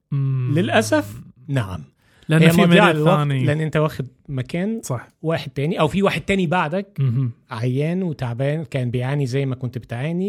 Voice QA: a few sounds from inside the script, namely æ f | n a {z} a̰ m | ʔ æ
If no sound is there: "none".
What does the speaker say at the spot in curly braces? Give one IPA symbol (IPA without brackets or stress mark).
ʕ